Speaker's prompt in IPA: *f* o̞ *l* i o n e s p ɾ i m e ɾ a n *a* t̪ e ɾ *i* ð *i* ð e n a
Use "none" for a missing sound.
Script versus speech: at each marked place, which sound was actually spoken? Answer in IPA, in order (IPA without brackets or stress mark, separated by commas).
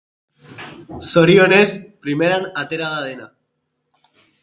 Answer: s, ɾ, a, a, a